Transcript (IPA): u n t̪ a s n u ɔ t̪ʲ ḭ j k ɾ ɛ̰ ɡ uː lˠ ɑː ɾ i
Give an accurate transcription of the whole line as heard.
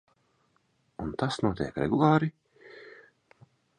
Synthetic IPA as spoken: u n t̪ a s n u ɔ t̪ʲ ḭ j k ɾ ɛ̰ ɡ u lˠ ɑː ɾ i